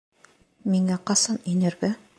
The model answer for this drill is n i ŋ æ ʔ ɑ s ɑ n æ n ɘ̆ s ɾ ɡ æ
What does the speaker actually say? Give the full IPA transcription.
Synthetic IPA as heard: m i ŋ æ q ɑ s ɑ n i n ɘ̆ ɾ ɡ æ